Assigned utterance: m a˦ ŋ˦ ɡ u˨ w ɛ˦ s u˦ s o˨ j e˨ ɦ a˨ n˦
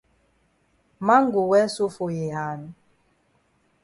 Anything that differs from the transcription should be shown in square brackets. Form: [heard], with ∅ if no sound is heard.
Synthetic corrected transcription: m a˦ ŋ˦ ɡ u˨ w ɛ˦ s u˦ [f] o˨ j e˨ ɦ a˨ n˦